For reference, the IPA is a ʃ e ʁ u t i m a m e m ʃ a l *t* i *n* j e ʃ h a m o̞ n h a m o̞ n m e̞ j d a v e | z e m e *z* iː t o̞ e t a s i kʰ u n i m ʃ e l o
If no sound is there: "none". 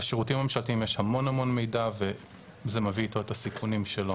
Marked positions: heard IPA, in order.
t, m, v

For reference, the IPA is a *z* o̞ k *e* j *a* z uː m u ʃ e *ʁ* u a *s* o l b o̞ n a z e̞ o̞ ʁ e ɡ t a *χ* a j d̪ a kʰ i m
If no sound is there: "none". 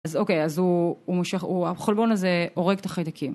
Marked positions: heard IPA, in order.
z, e, a, χ, χ, χ

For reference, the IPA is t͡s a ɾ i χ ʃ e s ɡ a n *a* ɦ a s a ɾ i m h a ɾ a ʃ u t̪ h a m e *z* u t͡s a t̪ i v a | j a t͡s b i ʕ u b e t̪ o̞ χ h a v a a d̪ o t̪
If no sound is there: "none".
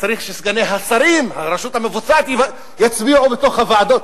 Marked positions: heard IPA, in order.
e, v

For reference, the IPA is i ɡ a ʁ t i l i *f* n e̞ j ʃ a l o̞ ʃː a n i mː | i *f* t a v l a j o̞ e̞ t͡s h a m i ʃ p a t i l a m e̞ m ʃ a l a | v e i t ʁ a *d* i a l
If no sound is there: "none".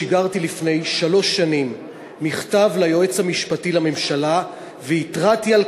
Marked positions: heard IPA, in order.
f, χ, t

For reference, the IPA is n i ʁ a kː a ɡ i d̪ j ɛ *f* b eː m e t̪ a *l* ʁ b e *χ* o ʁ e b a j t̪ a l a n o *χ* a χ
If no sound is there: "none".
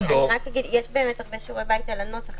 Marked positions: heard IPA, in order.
ʃ, none, ʃ, s

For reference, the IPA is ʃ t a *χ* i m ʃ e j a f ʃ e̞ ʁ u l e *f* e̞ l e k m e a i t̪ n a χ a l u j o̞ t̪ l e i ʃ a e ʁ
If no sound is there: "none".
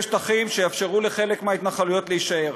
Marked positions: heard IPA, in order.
χ, χ

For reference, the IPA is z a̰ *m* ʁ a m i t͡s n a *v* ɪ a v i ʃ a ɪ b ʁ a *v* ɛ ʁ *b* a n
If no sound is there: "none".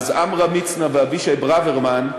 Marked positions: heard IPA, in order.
m, v, v, m

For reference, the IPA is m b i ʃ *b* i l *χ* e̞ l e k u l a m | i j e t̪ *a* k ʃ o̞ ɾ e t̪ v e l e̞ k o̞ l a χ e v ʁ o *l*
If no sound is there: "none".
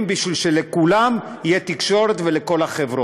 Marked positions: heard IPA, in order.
v, ʃ, i, none

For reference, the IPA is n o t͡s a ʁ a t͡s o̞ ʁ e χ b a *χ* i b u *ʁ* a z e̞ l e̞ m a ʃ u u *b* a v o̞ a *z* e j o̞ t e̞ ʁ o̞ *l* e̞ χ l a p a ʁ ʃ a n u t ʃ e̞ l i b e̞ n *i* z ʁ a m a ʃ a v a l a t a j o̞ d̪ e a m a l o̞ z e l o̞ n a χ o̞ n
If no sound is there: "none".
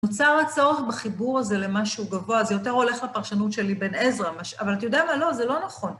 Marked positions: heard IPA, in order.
χ, ʁ, ɡ, z, l, e

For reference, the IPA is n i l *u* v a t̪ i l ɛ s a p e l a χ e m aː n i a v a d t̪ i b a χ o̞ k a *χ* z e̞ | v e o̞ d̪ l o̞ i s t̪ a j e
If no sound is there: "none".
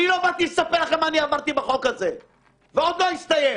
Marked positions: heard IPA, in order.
o, none

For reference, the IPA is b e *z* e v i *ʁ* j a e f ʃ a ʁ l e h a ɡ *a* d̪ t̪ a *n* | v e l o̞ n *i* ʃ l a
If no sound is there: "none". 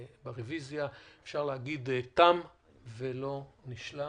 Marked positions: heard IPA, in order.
ʁ, z, i, m, i

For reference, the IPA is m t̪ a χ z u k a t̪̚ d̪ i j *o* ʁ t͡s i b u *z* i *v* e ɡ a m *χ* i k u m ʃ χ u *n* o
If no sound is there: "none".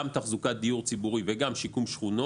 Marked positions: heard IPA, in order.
u, ʁ, v, ʃ, n

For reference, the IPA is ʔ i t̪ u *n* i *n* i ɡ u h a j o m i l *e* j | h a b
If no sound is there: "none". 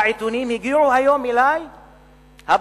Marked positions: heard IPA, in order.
n, m, a

